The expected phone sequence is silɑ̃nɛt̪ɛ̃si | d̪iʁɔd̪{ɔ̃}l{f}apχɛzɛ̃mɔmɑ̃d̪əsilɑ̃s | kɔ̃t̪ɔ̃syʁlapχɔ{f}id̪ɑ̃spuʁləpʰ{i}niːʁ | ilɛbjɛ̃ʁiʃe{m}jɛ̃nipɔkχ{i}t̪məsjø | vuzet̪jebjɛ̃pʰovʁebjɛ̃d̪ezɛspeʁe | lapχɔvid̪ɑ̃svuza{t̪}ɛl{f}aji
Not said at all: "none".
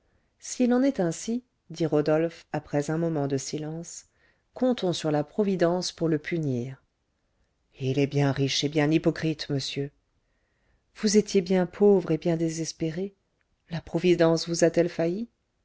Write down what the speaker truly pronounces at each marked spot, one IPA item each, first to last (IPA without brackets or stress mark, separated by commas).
ɔ, f, v, y, b, i, t̪, f